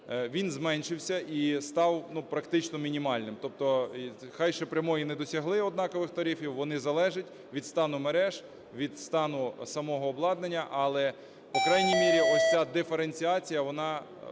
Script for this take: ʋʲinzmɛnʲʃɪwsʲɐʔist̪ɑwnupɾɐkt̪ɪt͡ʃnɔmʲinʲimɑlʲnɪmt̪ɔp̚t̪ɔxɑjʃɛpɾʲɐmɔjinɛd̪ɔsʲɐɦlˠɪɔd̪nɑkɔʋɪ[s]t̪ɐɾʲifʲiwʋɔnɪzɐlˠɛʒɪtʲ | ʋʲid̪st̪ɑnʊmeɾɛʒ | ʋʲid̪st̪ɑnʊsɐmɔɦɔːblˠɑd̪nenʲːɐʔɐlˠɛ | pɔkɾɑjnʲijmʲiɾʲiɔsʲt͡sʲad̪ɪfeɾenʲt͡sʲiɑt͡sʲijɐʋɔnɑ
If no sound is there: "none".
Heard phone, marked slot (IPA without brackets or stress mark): x